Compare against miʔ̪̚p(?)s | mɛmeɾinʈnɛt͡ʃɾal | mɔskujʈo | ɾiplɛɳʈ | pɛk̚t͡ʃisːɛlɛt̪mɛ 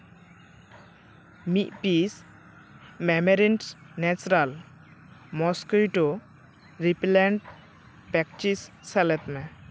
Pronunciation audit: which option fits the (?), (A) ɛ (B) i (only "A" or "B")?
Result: B